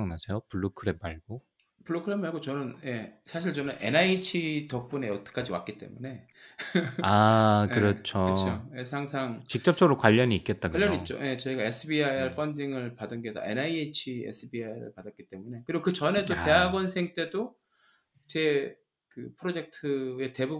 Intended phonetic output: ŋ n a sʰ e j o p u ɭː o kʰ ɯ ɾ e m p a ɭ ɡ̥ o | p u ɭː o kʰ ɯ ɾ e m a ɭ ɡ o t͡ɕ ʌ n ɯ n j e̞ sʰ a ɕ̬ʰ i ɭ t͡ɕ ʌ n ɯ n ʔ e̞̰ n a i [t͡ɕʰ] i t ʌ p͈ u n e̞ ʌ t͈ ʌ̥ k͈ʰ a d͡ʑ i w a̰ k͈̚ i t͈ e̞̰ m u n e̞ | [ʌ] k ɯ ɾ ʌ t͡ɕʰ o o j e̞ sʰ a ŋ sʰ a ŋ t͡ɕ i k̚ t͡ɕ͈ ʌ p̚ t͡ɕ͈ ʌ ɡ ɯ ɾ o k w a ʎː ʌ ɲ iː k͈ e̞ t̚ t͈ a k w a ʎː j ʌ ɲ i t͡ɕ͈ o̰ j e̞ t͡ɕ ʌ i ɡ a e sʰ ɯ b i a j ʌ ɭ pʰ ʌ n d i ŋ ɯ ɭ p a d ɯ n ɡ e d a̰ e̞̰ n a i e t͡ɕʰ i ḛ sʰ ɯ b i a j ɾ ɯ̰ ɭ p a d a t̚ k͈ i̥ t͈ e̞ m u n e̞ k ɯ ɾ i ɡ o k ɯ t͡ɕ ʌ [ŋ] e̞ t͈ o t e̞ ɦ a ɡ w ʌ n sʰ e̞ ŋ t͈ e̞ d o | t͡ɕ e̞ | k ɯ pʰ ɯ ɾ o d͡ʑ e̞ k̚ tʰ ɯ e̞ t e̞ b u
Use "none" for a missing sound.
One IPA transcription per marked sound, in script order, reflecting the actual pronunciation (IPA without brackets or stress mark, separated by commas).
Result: t͡ɕʰ, a, n